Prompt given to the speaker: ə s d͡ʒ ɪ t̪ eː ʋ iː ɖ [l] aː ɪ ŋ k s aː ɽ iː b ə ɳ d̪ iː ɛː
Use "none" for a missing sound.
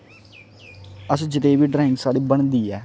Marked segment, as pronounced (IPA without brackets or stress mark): ɾ